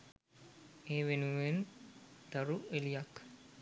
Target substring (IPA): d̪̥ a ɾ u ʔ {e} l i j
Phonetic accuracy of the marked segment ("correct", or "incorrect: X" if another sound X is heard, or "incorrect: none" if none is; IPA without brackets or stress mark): correct